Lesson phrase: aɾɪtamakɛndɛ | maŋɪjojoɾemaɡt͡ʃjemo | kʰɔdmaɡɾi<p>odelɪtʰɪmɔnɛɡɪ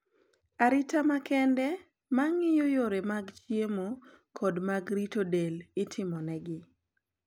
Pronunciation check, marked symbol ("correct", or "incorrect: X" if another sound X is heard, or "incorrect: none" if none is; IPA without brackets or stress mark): incorrect: t